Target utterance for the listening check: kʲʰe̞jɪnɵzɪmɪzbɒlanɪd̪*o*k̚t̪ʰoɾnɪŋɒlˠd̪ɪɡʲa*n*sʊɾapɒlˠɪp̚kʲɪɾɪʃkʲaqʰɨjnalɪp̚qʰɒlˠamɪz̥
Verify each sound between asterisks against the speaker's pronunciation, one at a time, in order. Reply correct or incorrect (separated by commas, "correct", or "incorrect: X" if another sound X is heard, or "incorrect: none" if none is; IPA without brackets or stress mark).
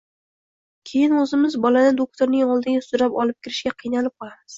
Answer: correct, incorrect: none